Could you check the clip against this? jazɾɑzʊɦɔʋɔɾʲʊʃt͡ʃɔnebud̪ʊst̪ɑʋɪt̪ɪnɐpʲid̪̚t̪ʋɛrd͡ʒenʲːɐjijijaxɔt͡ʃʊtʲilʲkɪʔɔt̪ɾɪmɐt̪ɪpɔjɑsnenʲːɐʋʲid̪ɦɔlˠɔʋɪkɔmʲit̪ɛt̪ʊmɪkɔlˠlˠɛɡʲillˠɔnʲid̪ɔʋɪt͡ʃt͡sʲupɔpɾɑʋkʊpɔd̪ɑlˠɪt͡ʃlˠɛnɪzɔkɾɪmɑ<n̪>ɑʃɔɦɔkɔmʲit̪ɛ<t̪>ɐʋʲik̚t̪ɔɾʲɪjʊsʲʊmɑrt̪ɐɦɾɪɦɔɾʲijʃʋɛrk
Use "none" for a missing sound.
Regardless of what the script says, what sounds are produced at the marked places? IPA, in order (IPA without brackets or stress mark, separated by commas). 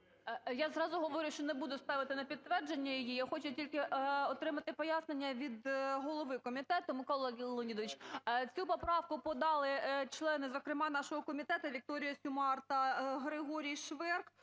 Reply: n̪, t̪